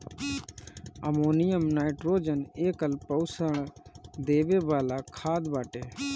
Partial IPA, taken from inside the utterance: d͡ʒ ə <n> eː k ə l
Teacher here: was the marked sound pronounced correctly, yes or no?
yes